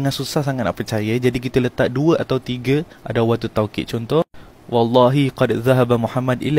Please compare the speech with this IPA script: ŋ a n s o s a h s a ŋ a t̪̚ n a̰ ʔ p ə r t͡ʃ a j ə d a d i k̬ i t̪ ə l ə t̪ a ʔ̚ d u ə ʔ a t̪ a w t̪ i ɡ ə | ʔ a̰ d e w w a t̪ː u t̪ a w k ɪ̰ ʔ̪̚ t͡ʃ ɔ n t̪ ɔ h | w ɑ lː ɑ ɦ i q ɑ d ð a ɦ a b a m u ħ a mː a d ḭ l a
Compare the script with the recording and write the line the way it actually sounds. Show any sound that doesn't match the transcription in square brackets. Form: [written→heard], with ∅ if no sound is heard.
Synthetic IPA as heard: ŋ a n s [o→u] s a h s a ŋ a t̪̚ n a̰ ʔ p ə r t͡ʃ a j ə [d→d͡ʒ] a d i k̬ i t̪ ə l ə t̪ a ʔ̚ d u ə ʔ a t̪ a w t̪ i ɡ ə | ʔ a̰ d [e→a] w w a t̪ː u t̪ a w k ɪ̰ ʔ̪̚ t͡ʃ ɔ n t̪ ɔ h | w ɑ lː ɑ ɦ i q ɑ d ð a ɦ a b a m u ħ a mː a d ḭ l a